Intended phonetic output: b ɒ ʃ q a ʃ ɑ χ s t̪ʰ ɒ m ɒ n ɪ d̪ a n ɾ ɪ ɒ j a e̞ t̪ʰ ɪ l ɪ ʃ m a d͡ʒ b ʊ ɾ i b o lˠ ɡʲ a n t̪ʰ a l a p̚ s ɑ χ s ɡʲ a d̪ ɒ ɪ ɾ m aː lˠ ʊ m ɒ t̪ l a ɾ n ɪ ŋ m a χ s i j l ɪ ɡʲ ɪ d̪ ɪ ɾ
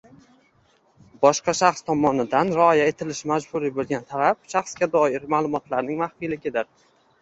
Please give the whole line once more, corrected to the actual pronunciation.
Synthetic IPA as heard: b ɒ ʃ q ɑ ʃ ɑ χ s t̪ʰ ɒ m ɒ n ɪ d̪ a n ɾ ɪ ɒ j a e̞ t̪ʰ ɪ l ɪ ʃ m a d͡ʒ b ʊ ɾ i b o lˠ ɡʲ a n t̪ʰ a l a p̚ ʃ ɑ χ s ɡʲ a d̪ ɒ ɪ ɾ m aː lˠ ʊ m ɒ t̪ l a ɾ n ɪ ŋ m a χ f i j l ɪ ɡʲ ɪ d̪ ɪ ɾ